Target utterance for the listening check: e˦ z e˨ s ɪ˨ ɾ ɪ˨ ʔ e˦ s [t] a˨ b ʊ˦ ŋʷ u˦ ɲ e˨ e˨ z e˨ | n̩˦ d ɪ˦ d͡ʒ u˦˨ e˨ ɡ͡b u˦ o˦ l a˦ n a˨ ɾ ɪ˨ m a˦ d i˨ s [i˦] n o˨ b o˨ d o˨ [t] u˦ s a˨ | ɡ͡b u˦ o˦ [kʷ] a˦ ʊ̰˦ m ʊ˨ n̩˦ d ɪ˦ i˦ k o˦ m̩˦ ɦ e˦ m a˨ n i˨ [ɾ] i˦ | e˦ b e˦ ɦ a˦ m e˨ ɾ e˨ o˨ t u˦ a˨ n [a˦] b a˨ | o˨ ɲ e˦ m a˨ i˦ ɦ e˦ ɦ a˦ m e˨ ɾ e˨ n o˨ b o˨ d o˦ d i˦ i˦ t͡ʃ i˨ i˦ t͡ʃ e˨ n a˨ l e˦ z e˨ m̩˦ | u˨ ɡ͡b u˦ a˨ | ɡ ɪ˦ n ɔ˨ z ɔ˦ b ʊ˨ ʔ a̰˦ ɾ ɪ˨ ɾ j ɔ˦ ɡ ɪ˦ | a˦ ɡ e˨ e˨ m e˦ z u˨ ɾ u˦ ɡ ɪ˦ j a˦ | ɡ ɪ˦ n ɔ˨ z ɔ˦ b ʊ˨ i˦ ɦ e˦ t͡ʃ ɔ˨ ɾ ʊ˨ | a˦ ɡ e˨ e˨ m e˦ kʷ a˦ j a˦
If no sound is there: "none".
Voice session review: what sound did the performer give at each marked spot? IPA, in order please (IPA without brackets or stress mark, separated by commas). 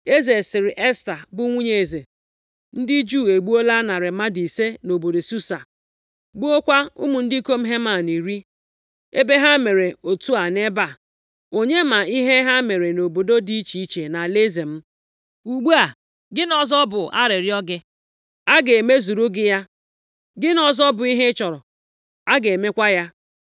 t, e˦, s, kʷ, ɾ, e˦